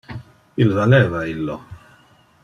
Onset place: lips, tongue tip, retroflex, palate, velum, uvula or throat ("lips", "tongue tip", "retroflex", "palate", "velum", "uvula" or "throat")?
tongue tip